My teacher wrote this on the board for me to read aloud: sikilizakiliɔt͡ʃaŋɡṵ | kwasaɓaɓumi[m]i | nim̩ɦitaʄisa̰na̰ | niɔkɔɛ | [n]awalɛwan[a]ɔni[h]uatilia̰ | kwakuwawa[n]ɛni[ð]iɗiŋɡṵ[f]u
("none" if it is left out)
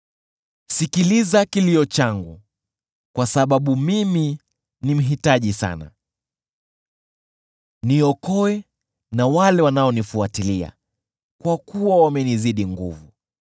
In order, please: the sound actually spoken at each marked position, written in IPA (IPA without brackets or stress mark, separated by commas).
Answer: m, n, a, f, m, z, v